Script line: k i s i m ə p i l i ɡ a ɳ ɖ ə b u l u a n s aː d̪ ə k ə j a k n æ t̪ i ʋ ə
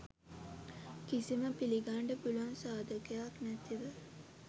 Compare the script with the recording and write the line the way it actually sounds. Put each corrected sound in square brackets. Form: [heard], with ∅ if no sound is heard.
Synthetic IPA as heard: k i s i m ə p i l i ɡ a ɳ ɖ ə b u l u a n s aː d̪ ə k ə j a k n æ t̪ i ʋ ə